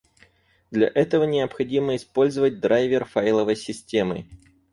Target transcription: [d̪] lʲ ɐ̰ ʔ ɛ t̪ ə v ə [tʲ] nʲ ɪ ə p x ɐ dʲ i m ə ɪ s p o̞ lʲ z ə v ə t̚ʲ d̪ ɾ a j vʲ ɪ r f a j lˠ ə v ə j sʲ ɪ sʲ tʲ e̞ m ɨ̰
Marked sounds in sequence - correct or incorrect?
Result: correct, incorrect: none

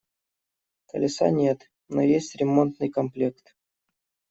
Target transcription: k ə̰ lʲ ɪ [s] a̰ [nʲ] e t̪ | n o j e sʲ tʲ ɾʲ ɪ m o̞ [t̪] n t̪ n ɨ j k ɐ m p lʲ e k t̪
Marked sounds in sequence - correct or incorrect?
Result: correct, correct, incorrect: none

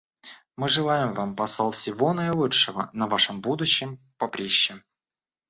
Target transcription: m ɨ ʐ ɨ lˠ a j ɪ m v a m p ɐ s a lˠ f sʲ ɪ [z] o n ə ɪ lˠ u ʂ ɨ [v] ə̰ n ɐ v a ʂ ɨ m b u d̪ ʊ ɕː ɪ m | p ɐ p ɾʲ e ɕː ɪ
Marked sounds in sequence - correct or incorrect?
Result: incorrect: v, correct

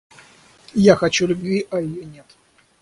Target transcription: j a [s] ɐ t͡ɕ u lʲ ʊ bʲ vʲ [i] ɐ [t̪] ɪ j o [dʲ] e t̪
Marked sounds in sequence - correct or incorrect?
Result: incorrect: x, correct, incorrect: none, incorrect: nʲ

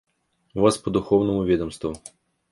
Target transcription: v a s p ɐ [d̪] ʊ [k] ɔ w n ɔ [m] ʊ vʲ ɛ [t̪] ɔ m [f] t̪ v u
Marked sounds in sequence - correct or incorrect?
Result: correct, incorrect: x, correct, incorrect: d̪, incorrect: s

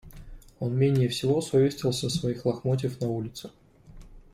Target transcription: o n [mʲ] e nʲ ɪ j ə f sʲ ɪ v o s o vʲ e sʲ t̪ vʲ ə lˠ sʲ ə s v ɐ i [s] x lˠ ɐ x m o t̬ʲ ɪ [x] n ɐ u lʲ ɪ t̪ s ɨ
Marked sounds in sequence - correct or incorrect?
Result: correct, incorrect: none, incorrect: f

